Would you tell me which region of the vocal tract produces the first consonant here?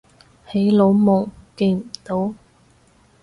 throat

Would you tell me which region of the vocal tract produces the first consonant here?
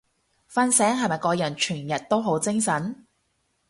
lips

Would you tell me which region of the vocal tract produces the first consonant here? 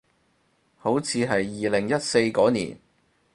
throat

